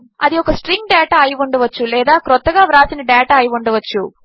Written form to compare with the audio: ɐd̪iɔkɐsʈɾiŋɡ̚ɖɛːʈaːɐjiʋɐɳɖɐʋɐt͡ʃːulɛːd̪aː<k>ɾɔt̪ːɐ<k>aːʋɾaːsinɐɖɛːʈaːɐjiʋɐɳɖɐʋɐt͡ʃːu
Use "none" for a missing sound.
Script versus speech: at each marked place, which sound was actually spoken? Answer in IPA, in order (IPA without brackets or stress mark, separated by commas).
k, ɡ